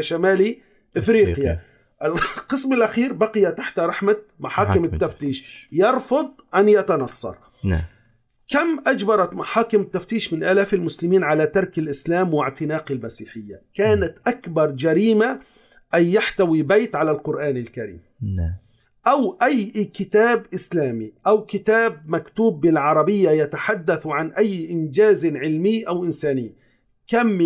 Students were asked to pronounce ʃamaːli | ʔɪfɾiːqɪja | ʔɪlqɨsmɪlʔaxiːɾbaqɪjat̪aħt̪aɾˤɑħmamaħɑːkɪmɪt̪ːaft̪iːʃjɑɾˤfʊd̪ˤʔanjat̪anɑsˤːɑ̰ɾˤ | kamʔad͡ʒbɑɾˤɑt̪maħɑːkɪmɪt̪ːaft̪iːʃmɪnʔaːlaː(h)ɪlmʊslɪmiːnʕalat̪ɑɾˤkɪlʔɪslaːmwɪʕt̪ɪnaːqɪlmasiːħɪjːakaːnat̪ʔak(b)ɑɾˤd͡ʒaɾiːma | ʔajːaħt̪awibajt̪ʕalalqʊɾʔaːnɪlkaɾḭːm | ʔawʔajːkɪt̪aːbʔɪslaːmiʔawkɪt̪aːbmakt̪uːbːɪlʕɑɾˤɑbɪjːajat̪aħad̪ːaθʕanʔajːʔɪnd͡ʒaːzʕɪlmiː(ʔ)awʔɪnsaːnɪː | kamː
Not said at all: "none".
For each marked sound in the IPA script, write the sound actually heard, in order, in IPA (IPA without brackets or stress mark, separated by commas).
f, b, ʔ